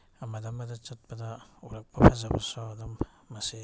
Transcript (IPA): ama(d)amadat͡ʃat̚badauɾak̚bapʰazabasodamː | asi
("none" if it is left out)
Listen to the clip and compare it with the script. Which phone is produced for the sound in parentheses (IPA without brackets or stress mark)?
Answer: d